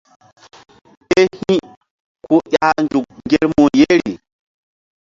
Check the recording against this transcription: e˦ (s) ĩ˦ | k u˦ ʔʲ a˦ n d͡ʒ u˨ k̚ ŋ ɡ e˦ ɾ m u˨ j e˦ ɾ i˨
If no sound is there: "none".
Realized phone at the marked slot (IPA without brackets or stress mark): h